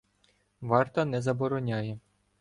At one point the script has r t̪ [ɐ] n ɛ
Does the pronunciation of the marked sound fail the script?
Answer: no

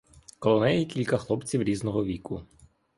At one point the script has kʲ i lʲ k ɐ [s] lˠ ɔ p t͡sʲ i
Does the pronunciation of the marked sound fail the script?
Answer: yes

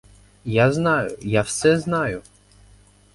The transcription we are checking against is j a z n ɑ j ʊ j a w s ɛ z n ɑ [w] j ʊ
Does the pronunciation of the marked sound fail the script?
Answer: yes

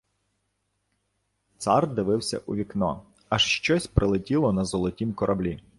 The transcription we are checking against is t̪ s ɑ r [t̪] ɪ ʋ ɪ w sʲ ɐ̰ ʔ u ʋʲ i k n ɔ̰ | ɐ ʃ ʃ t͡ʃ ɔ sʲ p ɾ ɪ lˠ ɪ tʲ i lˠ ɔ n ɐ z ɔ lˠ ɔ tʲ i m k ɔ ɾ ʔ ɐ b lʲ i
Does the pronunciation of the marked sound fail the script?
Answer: yes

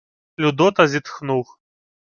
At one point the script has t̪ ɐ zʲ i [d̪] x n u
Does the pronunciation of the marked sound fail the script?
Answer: yes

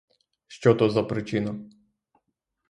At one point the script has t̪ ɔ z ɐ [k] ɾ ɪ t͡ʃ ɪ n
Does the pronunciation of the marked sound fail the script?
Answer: yes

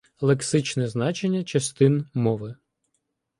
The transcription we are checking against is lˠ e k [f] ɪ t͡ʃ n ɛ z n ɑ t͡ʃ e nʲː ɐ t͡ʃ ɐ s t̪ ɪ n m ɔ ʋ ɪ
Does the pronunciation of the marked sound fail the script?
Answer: yes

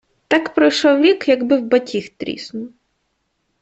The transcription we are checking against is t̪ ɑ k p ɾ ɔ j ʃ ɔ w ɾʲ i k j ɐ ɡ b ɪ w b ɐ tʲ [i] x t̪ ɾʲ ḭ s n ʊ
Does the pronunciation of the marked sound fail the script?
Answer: no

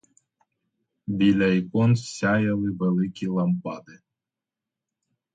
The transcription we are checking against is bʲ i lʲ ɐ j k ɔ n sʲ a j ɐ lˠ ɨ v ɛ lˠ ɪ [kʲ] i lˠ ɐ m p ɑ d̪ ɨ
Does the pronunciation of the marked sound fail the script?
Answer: no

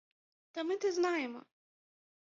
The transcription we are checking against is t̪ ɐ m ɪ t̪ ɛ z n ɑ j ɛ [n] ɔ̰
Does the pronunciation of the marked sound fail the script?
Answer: yes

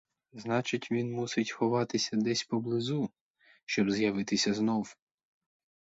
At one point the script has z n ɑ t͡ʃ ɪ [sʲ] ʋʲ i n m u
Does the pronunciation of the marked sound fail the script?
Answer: yes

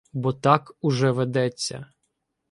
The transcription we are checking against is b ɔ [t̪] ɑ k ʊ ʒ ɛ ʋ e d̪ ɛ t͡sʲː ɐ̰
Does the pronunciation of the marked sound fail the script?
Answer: no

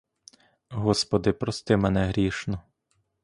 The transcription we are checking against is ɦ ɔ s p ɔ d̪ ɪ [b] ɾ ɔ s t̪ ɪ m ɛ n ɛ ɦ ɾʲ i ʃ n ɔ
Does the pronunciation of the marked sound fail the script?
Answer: yes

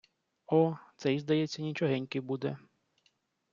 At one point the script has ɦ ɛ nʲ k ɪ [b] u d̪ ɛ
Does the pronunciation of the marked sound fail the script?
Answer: no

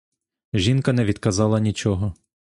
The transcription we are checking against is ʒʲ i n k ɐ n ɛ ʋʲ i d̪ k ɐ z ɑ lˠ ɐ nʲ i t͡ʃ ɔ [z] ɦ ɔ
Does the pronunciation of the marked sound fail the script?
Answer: yes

